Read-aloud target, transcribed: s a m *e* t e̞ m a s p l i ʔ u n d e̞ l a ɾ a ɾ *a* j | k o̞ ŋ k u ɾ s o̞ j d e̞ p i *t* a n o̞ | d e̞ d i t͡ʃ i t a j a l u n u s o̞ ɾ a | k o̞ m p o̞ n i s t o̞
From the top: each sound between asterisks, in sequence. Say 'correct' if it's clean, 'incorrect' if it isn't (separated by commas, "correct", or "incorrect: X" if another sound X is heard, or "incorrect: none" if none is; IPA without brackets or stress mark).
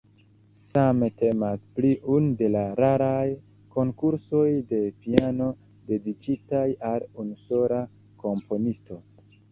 correct, correct, incorrect: none